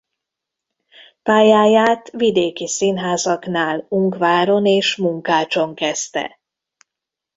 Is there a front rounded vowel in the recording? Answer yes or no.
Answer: no